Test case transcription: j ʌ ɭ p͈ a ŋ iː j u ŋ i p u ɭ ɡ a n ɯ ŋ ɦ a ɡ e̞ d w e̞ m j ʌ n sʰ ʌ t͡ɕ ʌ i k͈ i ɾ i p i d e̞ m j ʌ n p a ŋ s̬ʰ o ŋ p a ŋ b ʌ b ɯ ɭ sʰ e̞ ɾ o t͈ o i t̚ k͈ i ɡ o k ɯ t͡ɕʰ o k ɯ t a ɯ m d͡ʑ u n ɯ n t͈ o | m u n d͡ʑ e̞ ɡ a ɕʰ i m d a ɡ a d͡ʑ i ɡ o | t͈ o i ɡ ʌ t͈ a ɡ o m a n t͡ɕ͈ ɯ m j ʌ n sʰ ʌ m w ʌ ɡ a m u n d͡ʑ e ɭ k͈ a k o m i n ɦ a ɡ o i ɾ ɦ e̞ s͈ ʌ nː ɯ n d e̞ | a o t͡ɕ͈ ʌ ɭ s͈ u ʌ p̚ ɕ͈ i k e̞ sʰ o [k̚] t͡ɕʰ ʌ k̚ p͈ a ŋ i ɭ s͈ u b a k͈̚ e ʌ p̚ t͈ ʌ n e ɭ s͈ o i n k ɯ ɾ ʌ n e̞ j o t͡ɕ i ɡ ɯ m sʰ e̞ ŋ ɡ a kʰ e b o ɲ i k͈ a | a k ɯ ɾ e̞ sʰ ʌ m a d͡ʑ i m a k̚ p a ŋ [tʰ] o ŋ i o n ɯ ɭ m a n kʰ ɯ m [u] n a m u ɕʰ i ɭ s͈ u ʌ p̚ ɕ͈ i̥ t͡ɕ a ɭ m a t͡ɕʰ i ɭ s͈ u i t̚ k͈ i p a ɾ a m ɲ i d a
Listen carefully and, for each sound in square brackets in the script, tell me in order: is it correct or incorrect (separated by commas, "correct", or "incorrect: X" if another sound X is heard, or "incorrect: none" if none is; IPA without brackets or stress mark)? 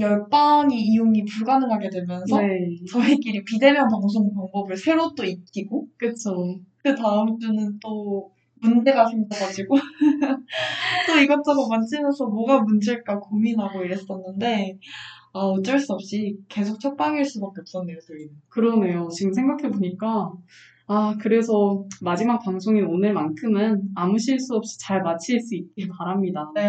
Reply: correct, incorrect: sʰ, incorrect: ɯ